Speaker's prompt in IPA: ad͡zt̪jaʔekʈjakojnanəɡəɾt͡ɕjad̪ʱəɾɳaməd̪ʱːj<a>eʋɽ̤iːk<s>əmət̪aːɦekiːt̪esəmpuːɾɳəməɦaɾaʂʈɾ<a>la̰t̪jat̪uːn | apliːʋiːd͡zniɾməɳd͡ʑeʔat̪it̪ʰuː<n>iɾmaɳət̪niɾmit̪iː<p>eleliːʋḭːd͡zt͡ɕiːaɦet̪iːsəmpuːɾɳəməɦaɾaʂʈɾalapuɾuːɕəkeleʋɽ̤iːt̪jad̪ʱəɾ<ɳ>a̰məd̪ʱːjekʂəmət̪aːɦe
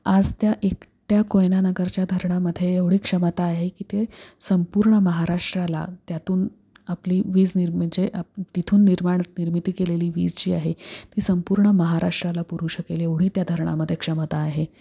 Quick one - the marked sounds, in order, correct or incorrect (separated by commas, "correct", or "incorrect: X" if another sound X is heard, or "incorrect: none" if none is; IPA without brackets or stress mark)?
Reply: incorrect: e, incorrect: ʂ, correct, incorrect: nː, incorrect: k, correct